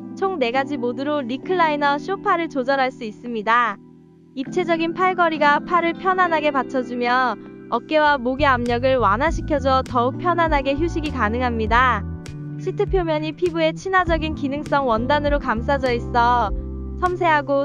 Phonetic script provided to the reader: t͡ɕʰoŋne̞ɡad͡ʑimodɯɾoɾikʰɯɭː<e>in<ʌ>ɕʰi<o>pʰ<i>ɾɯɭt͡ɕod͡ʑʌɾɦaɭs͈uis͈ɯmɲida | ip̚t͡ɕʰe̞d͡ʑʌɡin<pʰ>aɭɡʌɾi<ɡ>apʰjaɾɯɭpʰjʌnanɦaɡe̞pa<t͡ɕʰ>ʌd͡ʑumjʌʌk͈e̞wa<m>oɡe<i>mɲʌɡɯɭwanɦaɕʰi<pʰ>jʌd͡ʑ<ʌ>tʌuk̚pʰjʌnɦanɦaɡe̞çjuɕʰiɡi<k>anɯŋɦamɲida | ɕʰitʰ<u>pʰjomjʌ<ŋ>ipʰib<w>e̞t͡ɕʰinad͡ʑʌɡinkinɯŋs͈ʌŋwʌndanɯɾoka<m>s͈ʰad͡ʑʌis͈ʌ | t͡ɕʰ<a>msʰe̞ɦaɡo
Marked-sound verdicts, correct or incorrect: incorrect, correct, correct, incorrect, correct, correct, correct, correct, incorrect, incorrect, correct, correct, incorrect, incorrect, incorrect, correct, incorrect

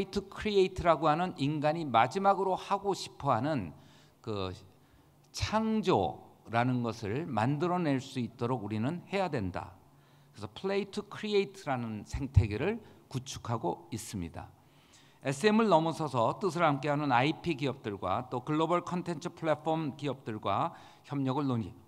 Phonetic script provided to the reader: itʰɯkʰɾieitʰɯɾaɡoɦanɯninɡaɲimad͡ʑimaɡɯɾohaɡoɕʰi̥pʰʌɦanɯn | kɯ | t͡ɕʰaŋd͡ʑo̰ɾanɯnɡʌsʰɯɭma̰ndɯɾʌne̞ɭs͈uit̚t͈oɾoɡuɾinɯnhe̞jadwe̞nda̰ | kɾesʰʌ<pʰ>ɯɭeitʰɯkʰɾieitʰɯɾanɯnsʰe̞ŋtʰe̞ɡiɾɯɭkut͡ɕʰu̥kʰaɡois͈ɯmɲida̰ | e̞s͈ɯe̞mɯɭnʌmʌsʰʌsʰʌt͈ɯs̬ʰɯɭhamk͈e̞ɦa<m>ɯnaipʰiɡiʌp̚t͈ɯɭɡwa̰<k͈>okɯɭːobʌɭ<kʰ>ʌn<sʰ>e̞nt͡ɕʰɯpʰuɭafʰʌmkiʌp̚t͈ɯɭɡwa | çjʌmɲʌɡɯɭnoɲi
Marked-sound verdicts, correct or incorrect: correct, incorrect, incorrect, correct, incorrect

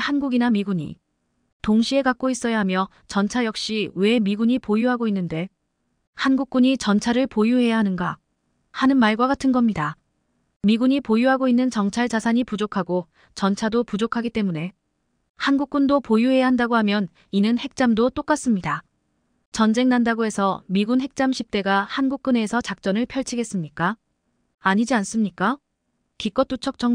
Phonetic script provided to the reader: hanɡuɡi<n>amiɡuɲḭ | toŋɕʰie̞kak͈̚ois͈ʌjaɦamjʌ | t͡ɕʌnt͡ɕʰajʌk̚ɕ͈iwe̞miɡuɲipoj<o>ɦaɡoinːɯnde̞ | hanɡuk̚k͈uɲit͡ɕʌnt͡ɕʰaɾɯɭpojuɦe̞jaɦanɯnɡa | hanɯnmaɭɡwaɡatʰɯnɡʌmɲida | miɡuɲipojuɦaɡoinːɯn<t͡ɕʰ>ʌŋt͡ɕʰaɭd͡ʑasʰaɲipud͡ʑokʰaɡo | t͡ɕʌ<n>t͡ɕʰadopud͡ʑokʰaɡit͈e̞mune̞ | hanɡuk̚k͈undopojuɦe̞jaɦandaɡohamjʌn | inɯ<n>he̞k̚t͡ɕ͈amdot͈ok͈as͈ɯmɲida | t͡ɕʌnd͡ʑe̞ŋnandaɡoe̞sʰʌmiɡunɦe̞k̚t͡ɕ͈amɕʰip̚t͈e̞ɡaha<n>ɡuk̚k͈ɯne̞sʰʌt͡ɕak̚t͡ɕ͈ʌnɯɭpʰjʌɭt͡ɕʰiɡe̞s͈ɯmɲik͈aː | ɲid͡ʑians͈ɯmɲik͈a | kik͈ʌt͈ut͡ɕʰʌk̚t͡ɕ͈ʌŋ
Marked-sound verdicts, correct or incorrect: correct, incorrect, incorrect, correct, correct, correct

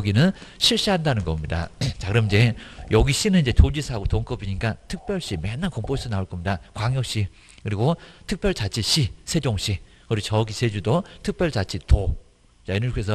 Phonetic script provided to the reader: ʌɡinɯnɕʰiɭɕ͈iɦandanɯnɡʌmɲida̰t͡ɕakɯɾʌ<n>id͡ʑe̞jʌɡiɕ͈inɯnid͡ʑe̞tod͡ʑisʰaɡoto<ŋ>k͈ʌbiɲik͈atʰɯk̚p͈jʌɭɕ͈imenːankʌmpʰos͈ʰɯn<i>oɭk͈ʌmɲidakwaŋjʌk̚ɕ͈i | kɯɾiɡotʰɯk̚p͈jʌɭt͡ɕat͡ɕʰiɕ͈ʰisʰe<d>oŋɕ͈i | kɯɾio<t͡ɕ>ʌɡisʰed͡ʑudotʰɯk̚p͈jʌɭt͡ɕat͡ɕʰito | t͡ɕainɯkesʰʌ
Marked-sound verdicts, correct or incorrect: incorrect, correct, incorrect, incorrect, correct

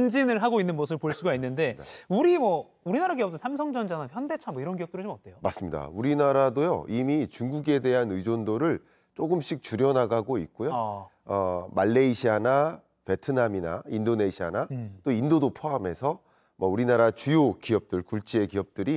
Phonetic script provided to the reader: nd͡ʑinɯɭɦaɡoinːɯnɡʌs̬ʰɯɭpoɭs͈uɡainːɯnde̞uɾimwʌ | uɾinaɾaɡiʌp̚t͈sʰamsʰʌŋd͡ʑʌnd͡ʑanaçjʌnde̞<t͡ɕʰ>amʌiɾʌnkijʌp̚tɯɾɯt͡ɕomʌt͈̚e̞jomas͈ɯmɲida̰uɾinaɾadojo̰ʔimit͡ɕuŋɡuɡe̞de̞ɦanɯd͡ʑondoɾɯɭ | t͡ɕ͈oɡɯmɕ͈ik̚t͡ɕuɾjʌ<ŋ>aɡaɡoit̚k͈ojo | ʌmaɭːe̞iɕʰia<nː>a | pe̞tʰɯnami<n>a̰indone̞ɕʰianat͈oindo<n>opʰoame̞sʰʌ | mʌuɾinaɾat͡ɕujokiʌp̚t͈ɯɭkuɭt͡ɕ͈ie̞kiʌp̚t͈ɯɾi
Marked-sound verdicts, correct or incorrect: correct, incorrect, incorrect, correct, incorrect

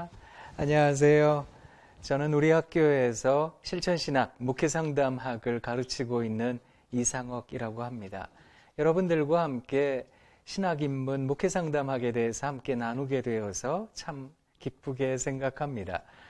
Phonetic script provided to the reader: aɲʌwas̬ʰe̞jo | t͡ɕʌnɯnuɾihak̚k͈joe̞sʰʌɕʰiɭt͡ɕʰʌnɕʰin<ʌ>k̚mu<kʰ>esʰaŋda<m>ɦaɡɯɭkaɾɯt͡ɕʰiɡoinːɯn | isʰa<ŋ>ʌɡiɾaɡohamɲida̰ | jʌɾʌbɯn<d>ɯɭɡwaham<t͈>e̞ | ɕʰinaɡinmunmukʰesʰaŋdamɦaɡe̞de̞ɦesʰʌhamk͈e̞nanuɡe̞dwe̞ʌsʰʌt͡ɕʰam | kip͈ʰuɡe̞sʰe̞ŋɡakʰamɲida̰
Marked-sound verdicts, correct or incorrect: incorrect, correct, correct, correct, correct, incorrect

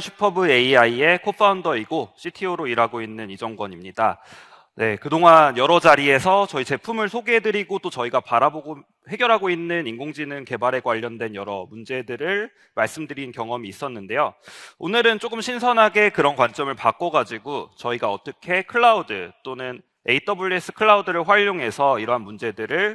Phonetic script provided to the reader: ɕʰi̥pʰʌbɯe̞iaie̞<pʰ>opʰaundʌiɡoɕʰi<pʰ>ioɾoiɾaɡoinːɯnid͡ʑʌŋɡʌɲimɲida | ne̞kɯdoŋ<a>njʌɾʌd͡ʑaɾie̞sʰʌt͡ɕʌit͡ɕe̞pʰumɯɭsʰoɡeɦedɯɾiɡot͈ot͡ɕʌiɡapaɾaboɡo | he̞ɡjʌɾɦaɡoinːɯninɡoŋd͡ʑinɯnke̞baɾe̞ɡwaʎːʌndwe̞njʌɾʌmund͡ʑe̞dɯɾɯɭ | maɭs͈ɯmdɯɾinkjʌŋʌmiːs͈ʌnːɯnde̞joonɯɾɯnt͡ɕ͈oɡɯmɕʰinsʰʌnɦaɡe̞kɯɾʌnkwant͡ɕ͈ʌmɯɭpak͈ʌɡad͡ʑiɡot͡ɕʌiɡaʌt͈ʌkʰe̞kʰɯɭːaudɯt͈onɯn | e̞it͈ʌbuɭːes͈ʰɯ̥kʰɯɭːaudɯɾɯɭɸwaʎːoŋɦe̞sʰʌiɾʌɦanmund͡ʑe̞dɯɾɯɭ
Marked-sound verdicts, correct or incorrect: incorrect, incorrect, correct

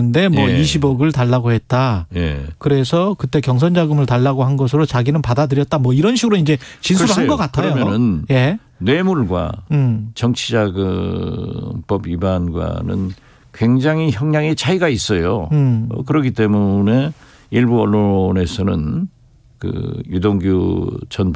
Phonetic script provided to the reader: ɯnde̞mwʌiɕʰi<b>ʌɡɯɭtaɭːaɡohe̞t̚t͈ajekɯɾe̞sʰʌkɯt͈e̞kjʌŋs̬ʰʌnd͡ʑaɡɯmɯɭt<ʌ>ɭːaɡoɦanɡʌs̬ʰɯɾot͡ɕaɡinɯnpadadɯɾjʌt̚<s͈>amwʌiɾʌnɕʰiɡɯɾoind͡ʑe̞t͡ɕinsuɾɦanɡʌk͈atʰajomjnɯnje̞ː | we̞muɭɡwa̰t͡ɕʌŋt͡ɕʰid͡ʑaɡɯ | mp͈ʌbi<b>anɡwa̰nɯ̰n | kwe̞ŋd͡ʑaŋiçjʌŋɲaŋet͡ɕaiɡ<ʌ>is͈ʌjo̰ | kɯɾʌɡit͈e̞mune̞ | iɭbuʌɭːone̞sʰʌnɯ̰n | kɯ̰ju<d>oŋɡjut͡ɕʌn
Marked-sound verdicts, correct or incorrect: correct, incorrect, incorrect, correct, incorrect, correct

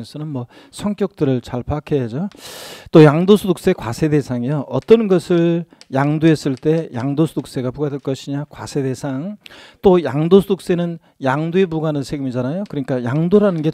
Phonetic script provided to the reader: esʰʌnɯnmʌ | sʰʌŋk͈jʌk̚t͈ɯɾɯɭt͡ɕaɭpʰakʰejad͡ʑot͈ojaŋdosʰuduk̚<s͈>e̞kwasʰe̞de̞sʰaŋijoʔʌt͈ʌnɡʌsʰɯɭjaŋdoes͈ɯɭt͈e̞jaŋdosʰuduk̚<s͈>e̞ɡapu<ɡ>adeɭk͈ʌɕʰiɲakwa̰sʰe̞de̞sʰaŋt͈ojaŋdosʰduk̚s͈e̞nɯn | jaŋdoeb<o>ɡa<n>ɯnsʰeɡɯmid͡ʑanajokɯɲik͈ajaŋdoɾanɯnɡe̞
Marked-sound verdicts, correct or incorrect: correct, correct, correct, incorrect, correct

